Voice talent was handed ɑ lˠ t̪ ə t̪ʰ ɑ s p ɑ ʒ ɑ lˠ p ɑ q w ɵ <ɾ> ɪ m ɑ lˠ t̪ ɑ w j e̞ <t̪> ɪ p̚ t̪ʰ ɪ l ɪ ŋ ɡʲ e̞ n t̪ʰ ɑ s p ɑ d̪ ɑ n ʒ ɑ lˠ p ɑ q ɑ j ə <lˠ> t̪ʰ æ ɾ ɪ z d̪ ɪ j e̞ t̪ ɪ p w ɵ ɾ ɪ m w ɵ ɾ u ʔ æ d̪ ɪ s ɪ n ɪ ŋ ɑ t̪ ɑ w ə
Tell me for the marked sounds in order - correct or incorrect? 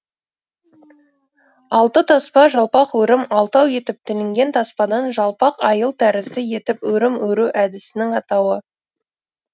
correct, correct, correct

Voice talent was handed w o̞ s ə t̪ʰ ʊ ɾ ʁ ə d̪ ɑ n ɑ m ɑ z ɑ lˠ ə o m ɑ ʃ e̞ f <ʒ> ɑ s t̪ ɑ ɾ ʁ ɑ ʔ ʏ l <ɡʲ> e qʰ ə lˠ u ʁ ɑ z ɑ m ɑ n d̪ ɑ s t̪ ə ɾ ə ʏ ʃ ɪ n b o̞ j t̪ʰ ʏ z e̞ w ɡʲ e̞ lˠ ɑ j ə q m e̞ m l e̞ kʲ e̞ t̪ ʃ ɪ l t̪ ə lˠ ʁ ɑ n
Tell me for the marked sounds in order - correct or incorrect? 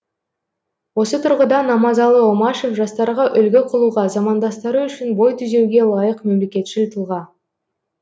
correct, correct

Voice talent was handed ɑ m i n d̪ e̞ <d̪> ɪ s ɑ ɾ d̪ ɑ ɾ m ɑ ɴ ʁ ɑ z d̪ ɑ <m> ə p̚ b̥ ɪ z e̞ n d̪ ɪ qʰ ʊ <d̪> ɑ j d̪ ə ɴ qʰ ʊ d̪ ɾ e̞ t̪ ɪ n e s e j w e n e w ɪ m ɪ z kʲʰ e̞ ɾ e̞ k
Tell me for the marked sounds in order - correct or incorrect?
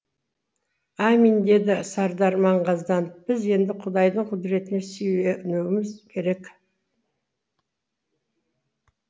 correct, incorrect: n, correct

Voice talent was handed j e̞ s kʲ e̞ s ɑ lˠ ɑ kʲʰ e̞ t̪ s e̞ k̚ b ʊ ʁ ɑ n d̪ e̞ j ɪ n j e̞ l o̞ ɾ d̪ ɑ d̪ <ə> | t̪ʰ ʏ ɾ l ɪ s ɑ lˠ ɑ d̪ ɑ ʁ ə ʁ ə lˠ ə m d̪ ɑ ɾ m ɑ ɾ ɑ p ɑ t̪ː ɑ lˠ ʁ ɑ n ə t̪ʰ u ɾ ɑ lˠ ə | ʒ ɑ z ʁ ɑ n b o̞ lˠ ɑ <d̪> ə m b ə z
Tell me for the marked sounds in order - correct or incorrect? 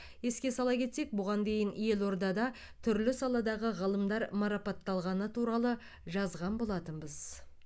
incorrect: ɑ, incorrect: t̪

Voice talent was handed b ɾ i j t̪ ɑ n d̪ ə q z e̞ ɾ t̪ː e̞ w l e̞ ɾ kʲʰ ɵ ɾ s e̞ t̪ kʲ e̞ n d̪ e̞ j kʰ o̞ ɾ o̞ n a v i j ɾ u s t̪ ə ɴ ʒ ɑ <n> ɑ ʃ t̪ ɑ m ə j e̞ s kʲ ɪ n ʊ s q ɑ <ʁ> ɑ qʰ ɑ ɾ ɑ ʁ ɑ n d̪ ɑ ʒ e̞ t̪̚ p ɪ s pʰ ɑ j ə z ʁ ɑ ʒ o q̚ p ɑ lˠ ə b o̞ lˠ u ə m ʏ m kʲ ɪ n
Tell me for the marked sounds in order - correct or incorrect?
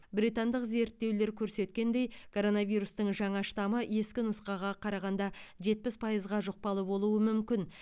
incorrect: ɴ, correct

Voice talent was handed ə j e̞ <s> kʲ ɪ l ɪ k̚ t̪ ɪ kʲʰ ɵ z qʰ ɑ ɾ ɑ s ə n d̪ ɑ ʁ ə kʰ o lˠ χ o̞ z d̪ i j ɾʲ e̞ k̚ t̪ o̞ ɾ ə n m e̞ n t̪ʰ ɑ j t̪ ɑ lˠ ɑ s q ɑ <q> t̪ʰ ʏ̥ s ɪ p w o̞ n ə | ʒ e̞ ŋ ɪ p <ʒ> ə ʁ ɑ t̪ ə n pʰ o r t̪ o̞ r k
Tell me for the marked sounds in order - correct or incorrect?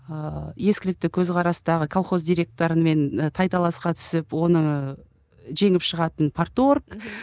correct, incorrect: none, incorrect: ʃ

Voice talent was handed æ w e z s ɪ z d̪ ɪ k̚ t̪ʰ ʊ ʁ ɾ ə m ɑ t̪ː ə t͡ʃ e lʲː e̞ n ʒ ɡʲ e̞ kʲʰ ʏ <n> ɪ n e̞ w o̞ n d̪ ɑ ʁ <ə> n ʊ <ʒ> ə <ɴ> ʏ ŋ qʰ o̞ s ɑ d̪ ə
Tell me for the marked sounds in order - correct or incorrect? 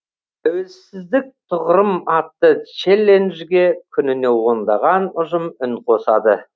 correct, incorrect: ɑ, correct, incorrect: m

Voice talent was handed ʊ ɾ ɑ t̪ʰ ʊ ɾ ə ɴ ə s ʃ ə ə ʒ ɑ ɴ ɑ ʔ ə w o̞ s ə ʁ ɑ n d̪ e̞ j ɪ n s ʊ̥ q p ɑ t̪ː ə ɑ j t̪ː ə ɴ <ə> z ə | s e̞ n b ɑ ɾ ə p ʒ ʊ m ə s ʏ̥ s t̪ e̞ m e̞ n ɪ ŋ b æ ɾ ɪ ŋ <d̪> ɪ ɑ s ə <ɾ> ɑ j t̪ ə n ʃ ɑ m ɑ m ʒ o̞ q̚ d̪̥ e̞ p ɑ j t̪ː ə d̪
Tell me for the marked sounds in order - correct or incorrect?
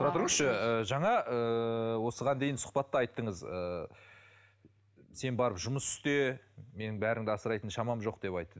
correct, correct, correct

